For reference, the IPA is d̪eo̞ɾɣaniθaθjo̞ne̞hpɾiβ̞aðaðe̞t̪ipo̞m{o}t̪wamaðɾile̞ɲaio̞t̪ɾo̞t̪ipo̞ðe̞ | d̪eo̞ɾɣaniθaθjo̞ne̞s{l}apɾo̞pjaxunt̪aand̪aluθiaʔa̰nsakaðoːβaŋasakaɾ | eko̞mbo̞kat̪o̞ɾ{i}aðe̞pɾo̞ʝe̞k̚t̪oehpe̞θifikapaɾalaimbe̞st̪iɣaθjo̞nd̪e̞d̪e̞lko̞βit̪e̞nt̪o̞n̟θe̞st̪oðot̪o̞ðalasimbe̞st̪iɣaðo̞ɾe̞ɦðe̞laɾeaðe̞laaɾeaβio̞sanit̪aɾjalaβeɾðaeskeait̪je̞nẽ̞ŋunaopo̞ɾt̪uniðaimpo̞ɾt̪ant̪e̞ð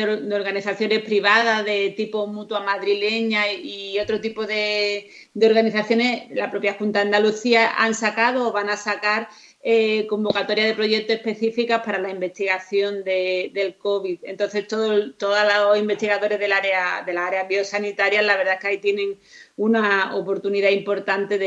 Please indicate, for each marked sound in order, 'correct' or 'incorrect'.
incorrect: u, correct, incorrect: j

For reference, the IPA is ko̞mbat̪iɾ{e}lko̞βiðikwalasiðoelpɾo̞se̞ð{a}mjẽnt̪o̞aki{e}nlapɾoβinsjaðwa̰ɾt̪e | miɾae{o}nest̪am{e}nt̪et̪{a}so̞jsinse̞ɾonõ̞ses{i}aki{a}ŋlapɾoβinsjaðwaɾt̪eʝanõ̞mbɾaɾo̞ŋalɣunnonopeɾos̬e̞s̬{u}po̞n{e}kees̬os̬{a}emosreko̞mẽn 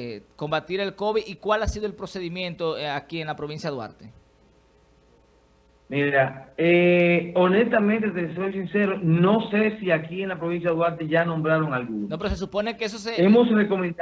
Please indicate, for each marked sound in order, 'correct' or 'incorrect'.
correct, incorrect: i, correct, correct, incorrect: ẽ, incorrect: e, correct, incorrect: e, correct, correct, incorrect: e

